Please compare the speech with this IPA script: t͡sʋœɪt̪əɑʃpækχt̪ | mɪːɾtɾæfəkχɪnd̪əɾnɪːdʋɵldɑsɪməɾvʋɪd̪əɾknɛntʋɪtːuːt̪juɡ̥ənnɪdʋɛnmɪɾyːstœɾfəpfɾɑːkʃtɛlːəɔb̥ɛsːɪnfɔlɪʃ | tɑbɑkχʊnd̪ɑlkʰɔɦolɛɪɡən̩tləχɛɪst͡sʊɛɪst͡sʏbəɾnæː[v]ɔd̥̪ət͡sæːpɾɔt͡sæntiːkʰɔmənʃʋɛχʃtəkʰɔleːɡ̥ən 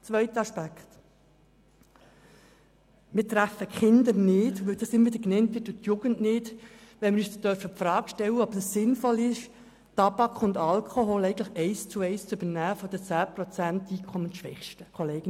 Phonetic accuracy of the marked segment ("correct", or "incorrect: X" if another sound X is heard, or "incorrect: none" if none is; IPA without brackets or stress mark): incorrect: f